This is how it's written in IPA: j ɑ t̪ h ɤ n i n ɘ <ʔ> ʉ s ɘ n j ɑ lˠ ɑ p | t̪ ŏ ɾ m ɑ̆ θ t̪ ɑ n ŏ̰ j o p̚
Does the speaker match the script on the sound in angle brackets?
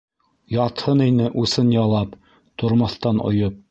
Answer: yes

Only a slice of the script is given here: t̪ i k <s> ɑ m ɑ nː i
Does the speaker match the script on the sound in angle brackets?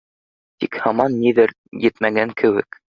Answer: no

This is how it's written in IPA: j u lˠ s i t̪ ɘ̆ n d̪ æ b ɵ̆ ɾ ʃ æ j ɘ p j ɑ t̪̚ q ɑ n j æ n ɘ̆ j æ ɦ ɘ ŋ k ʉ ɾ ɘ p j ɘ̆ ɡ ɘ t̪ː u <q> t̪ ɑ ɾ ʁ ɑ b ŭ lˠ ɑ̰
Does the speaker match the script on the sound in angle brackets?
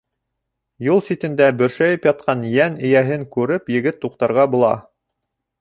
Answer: yes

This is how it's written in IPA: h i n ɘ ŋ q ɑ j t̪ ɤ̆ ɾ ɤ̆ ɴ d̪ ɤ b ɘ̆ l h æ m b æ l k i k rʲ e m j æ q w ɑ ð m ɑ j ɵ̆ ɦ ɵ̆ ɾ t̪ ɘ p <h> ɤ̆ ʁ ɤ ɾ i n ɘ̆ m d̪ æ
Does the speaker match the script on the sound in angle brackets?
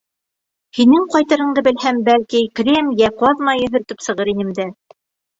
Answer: no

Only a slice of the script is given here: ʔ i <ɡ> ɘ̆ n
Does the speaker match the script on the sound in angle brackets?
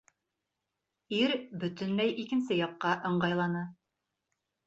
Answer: no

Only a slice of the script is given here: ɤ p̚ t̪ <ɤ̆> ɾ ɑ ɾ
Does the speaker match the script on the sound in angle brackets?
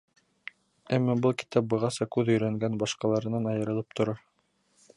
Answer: no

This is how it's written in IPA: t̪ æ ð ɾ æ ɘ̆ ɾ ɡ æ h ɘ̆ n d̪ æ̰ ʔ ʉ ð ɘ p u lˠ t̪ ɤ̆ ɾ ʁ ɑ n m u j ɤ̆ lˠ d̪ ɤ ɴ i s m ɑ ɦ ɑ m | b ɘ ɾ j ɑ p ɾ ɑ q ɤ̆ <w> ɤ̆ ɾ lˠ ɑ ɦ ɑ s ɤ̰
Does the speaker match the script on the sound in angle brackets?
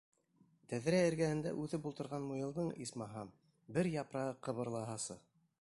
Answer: no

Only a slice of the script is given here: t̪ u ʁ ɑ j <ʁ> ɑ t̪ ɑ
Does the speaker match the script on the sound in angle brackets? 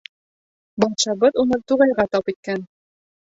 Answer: yes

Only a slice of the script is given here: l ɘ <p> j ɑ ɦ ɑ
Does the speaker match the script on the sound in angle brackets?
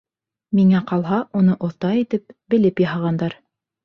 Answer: yes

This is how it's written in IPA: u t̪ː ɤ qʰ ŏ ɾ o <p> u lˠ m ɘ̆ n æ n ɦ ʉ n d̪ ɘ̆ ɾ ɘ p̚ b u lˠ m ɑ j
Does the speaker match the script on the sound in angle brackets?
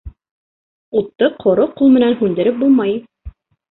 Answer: no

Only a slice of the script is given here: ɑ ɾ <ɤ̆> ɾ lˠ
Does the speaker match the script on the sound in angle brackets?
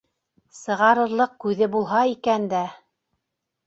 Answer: yes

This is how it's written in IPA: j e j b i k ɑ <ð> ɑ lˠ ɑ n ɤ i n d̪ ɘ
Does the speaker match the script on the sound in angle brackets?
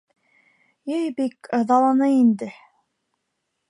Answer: yes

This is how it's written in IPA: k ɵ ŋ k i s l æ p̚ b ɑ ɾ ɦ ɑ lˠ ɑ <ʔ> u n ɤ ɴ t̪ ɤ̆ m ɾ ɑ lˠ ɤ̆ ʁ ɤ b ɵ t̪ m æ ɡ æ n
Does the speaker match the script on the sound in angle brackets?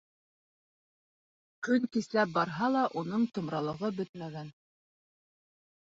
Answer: yes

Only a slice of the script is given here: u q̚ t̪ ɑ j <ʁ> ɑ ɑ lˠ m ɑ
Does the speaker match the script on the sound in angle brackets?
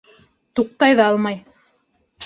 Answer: no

